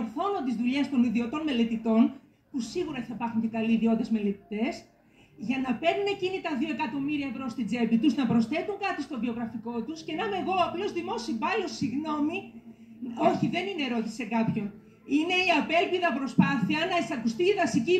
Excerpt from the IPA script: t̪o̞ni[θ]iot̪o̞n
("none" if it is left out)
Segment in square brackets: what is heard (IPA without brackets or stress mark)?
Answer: ð